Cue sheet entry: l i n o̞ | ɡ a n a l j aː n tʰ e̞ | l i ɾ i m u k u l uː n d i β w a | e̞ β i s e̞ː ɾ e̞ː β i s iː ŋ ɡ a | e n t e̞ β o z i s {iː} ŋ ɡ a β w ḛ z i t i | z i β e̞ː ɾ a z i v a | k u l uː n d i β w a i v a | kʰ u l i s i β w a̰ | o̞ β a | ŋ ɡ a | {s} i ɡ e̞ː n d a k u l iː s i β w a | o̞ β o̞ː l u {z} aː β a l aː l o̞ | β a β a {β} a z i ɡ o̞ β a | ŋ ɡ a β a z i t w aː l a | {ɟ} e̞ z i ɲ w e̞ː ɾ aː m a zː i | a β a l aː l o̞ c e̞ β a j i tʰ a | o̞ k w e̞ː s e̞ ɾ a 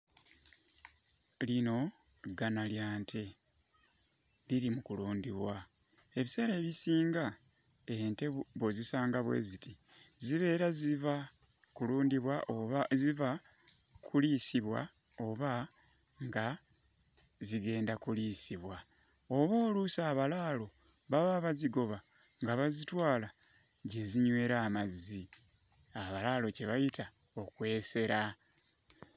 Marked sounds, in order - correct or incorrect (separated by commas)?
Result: incorrect, incorrect, incorrect, correct, correct